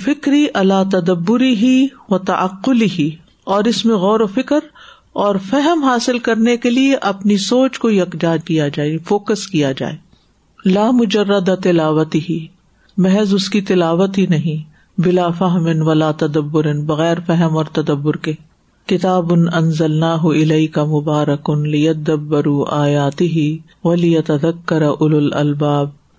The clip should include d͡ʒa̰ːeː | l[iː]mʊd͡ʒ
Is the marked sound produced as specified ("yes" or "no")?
no